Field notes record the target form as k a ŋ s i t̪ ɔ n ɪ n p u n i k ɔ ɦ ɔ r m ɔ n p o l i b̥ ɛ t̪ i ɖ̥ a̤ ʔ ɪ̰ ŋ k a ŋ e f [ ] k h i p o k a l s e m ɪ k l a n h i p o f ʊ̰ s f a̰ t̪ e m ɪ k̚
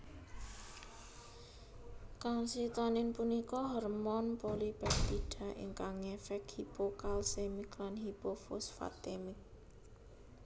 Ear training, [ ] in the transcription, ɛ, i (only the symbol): ɛ